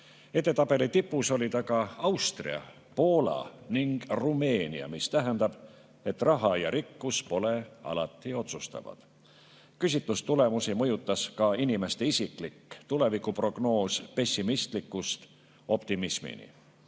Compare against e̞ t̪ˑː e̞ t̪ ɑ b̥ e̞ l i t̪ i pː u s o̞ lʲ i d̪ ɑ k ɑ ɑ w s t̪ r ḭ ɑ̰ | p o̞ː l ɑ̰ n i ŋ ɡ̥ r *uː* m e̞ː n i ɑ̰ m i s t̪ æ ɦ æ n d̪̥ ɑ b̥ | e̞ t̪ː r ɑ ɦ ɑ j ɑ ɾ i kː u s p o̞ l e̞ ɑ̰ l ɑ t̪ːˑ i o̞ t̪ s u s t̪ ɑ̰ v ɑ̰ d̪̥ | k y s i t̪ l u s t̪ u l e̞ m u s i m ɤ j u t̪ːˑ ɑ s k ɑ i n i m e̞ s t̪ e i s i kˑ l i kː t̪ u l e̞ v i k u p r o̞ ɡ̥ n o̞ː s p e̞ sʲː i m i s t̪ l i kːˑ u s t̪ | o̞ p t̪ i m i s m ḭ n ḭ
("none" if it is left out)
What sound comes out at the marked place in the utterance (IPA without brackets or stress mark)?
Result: u